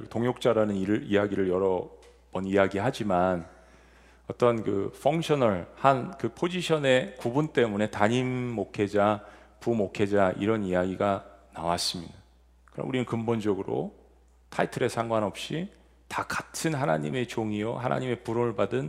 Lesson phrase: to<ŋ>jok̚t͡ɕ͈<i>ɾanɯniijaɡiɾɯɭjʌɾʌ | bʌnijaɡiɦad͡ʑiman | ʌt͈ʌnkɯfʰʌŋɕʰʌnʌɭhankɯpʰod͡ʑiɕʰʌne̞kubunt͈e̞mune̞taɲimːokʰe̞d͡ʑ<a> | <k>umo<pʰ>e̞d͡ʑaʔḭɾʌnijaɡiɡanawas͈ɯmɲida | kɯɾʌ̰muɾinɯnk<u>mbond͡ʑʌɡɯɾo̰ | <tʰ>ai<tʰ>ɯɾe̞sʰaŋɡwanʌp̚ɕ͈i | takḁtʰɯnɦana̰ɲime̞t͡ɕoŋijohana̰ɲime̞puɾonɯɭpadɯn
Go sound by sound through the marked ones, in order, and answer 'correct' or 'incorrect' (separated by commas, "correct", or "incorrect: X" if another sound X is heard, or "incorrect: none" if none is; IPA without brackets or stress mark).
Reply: correct, incorrect: a, correct, incorrect: p, incorrect: kʰ, incorrect: ɯ, correct, correct